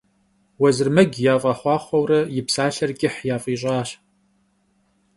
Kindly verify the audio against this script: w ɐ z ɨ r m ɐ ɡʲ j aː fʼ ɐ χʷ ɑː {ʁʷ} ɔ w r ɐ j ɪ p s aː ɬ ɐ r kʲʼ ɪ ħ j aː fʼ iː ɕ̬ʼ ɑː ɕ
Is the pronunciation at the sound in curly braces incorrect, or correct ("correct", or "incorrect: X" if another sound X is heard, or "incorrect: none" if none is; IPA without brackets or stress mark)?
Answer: incorrect: χʷ